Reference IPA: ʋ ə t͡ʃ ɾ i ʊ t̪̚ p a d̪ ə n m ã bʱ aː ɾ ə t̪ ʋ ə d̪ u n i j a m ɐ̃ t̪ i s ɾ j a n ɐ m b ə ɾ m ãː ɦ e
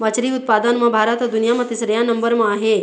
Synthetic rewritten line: ʋ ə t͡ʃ ɾ i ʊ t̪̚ p a d̪ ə n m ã bʱ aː ɾ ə t̪ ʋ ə d̪ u n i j a m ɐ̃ t̪ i s ɾ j a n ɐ m b ə ɾ m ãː ɦ e